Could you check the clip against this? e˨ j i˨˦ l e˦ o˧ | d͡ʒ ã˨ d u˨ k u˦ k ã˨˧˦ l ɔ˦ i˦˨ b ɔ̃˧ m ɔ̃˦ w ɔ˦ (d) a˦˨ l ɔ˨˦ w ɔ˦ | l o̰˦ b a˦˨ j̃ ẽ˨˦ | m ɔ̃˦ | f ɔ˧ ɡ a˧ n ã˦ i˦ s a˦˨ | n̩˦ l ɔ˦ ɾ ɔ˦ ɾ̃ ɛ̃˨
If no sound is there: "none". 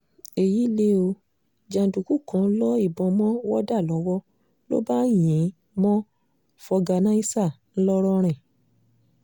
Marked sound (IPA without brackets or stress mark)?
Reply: d